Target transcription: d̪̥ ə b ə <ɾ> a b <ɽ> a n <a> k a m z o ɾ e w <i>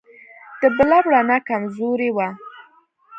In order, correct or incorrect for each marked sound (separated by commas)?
incorrect, correct, correct, incorrect